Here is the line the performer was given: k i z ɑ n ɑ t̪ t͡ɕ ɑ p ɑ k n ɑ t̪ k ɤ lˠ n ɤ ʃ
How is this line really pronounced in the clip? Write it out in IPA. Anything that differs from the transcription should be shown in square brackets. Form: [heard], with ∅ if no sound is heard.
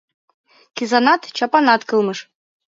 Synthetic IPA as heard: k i z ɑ n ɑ t̪ t͡ɕ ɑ p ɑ [∅] n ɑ t̪ k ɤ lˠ [m] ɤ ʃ